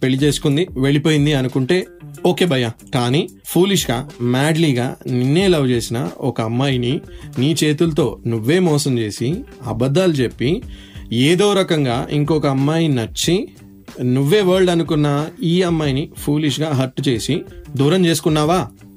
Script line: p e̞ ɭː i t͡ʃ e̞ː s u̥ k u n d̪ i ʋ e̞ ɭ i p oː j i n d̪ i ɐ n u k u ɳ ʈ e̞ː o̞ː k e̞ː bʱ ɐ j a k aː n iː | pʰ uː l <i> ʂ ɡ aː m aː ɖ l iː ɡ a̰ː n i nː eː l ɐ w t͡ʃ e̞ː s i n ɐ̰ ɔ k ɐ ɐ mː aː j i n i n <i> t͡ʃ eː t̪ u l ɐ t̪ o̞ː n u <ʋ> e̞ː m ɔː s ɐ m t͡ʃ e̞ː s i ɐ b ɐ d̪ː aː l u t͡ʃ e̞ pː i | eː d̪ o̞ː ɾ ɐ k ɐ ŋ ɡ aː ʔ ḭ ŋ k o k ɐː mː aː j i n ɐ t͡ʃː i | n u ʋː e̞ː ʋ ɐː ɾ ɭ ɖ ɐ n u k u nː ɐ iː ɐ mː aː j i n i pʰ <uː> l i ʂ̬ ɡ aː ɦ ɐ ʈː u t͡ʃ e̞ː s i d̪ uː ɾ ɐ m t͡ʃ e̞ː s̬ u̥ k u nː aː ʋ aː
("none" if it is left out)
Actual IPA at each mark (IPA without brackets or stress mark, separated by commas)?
i, iː, ʋː, uː